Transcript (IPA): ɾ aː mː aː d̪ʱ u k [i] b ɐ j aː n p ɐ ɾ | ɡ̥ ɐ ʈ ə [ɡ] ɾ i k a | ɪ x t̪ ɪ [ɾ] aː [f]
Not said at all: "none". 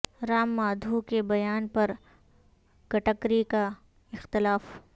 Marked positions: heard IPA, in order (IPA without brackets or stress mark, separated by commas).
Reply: e, k, l, f